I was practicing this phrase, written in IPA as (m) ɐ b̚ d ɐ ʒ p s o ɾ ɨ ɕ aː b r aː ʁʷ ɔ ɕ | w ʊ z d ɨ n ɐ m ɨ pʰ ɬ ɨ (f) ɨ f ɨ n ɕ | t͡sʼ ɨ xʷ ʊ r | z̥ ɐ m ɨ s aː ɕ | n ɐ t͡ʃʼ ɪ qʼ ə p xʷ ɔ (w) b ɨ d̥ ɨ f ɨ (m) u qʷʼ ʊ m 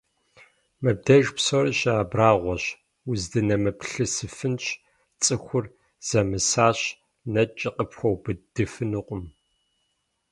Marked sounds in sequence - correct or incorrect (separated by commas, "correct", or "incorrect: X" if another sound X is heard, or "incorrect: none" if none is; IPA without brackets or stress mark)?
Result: correct, incorrect: s, correct, incorrect: n